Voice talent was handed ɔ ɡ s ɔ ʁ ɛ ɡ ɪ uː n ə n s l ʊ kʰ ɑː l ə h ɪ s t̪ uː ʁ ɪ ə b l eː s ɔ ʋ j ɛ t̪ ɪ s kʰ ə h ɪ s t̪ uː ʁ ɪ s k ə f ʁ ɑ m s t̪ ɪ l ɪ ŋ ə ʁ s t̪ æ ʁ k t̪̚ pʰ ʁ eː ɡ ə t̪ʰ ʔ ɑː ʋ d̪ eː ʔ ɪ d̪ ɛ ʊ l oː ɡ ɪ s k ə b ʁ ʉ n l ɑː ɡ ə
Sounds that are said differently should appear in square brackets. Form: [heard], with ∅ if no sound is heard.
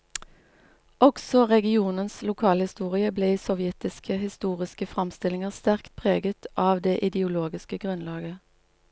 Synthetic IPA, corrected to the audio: ɔ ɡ s ɔ ʁ ɛ ɡ ɪ uː n ə n s l ʊ kʰ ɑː l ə h ɪ s t̪ uː ʁ ɪ ə b l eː s ɔ ʋ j ɛ t̪ ɪ s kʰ ə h ɪ s t̪ uː ʁ ɪ s k ə f ʁ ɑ m s t̪ ɪ l ɪ ŋ ə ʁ s t̪ æ ʁ k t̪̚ pʰ ʁ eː ɡ ə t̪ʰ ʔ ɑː ʋ d̪ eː ʔ ɪ d̪ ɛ ʊ l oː ɡ ɪ s k ə [ɡ] ʁ ʉ n l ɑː ɡ ə

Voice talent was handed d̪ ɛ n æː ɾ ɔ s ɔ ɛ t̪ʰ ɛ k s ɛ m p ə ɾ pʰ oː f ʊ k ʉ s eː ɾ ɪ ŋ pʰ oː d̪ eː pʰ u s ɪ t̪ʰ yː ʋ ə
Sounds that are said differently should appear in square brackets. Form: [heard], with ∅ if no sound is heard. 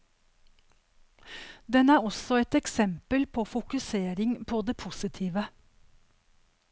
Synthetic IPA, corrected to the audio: d̪ ɛ n æː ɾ ɔ s ɔ ɛ [t̪] ɛ k s ɛ m p ə [l] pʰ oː f ʊ k ʉ s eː ɾ ɪ ŋ pʰ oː d̪ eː pʰ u s ɪ t̪ʰ [iː] ʋ ə

